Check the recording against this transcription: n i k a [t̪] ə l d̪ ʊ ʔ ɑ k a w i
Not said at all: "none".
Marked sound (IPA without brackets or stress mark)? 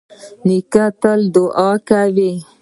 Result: t̪